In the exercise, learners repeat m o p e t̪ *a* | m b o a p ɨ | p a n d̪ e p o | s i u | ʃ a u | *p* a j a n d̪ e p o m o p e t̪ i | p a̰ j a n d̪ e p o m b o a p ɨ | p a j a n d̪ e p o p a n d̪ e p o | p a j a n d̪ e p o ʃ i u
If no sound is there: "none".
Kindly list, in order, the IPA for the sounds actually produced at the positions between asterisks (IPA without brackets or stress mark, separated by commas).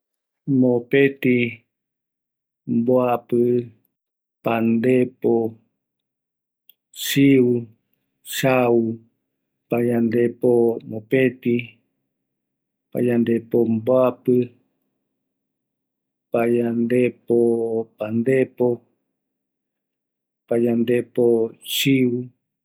i, p